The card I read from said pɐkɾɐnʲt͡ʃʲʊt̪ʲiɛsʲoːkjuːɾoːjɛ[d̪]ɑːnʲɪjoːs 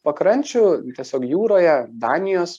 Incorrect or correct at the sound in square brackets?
correct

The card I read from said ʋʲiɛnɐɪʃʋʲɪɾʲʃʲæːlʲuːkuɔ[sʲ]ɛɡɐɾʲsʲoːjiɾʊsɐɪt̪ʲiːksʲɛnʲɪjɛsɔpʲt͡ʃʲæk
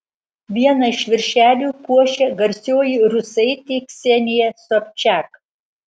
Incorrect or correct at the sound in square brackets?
incorrect: ʃʲ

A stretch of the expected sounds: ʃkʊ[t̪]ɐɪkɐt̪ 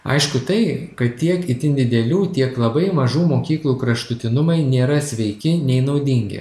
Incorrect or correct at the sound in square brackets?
correct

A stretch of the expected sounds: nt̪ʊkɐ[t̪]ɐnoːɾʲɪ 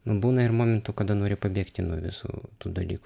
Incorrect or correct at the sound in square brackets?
incorrect: d̪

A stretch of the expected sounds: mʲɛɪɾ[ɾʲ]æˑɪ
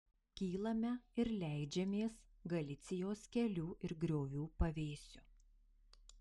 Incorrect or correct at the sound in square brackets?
incorrect: lʲ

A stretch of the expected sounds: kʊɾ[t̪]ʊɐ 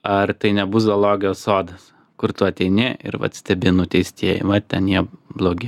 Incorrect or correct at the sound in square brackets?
correct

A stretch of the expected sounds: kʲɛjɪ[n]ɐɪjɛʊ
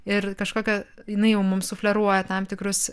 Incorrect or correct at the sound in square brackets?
correct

